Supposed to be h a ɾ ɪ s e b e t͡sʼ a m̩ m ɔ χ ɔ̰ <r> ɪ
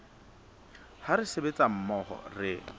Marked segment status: correct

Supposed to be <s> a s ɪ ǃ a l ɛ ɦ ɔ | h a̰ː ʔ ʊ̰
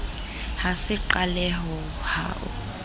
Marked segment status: incorrect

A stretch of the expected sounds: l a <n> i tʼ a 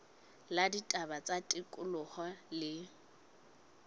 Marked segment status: incorrect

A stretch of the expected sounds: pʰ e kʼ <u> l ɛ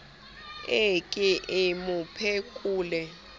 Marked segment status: incorrect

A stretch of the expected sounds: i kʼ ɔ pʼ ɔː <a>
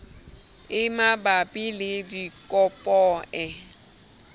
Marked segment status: incorrect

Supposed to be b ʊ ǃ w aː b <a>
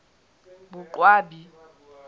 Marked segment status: incorrect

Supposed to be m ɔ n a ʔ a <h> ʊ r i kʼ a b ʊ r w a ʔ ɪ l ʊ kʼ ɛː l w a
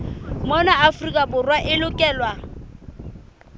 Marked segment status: incorrect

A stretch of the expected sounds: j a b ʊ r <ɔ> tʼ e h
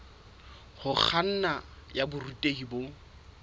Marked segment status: incorrect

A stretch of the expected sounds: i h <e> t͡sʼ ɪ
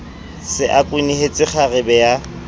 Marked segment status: correct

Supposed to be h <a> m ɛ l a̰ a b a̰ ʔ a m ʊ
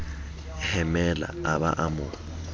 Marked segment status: incorrect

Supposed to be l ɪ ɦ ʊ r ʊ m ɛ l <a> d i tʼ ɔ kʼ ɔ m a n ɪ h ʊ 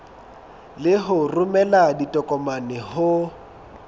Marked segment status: correct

